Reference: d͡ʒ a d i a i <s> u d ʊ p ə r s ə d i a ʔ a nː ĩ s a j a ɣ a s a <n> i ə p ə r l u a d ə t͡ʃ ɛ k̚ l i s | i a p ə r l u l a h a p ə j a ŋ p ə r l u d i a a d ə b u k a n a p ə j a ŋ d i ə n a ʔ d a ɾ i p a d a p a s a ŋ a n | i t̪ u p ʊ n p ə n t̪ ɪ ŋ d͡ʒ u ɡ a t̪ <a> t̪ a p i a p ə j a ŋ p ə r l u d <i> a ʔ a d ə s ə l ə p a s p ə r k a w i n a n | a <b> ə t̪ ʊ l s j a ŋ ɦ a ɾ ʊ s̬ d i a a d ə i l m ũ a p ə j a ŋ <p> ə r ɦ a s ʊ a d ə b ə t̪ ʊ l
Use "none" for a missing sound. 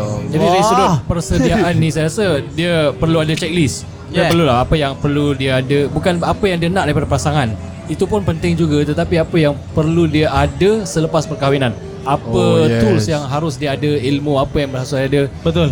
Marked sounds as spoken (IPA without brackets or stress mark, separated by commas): s, d, ə, i, p, b